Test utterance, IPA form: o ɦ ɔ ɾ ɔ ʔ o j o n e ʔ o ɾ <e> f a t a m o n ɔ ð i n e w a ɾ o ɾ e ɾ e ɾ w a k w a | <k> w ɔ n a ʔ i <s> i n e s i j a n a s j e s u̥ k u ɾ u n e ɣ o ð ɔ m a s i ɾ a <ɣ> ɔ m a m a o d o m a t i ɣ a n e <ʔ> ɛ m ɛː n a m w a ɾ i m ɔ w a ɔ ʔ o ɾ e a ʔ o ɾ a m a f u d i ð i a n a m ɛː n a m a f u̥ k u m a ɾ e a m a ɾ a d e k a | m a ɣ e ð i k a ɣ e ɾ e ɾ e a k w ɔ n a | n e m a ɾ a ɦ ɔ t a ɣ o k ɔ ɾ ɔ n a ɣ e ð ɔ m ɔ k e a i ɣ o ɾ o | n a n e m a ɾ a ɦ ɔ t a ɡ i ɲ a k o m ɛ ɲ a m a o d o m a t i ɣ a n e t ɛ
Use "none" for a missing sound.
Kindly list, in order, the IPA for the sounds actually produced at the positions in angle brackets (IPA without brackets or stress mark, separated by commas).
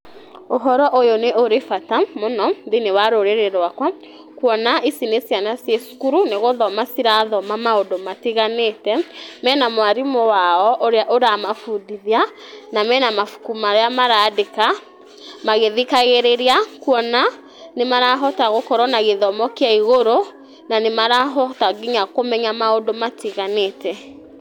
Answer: e, k, s, ð, t